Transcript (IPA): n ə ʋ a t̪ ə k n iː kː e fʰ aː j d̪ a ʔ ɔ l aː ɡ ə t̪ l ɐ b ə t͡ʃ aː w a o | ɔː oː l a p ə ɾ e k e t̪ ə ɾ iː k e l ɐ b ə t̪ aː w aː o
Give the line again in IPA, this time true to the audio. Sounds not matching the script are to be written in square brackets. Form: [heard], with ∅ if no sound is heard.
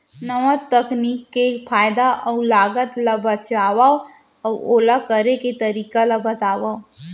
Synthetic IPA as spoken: n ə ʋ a t̪ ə k n iː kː e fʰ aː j d̪ a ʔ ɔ l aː ɡ ə t̪ l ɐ b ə t͡ʃ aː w a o | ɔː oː l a [k] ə ɾ e k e t̪ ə ɾ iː k [a] l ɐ b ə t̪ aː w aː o